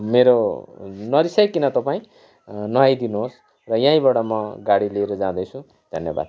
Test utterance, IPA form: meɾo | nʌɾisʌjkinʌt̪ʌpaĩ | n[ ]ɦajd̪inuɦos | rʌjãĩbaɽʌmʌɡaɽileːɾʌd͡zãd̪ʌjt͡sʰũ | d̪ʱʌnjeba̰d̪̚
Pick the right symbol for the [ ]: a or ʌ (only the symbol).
ʌ